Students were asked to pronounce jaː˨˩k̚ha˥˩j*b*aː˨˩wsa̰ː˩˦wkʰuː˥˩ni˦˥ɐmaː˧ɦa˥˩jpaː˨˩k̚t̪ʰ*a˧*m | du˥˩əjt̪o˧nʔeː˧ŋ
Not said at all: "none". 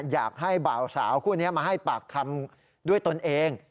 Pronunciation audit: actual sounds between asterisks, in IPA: b, a˧

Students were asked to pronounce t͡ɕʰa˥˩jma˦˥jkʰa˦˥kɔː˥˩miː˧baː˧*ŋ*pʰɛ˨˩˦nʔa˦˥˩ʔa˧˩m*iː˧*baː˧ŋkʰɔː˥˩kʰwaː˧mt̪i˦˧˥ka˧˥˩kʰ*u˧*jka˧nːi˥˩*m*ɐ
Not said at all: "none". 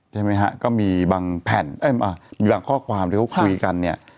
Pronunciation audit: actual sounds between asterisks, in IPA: ŋ, iː˧, u˧, none

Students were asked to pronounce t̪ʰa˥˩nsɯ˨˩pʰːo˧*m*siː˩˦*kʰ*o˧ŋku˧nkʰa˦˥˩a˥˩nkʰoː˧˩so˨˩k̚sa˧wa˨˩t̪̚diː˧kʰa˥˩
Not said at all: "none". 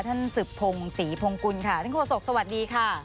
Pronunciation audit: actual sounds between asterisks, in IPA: ŋ, pʰ

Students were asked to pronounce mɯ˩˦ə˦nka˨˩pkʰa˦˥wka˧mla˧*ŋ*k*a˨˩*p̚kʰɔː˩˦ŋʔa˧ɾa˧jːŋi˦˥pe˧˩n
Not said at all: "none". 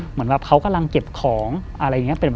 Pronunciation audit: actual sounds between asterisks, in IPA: ŋ, e˨˩

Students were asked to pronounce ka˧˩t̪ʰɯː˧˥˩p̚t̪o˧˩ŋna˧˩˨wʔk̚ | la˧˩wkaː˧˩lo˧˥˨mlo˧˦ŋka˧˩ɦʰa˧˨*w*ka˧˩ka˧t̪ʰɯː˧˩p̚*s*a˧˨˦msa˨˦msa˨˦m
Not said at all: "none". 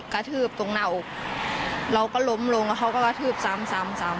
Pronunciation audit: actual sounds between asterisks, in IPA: w, s

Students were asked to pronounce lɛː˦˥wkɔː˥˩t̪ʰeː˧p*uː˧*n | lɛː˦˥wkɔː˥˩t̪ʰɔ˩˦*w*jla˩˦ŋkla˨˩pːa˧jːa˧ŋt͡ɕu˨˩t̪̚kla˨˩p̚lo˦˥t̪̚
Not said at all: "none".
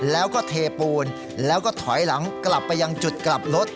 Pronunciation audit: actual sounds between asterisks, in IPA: uː˧, none

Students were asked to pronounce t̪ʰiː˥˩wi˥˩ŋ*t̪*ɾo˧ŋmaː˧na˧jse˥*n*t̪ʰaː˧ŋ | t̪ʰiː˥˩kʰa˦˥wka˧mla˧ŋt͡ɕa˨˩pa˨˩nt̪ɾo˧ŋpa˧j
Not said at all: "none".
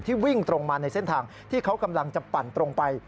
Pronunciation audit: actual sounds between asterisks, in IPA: t̪, n

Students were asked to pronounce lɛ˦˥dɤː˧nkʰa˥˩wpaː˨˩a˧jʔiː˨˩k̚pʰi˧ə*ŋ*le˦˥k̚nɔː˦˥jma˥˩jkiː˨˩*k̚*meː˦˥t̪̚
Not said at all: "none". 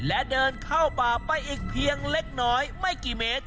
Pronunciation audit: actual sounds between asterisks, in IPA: ŋ, none

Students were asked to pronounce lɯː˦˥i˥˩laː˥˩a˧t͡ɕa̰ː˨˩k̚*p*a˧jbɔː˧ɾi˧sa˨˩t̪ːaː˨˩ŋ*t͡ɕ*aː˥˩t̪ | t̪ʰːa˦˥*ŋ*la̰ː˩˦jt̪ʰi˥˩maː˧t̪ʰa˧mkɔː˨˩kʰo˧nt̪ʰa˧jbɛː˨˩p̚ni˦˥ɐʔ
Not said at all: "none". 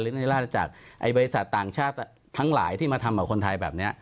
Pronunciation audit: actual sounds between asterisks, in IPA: ʔ, t͡ɕʰ, ŋ

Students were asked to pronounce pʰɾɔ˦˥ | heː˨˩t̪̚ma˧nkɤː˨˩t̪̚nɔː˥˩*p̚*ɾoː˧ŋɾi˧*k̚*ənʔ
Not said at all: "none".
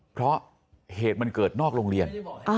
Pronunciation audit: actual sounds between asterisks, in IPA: k̚, none

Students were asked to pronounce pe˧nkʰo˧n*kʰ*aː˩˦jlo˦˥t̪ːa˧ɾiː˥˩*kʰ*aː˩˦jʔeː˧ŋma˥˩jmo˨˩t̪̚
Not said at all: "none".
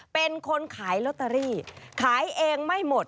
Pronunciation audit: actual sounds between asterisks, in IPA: kʰ, kʰ

